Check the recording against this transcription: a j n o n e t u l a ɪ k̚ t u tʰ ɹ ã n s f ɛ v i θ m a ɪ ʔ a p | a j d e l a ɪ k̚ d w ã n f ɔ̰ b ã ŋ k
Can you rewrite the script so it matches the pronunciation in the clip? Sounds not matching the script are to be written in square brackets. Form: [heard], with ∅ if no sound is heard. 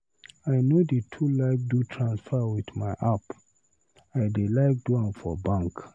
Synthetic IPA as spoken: a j n o [d] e [tʰ] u l a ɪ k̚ [d] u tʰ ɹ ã n s f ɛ [w] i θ m a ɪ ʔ a p | a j d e l a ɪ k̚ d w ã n f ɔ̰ b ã ŋ k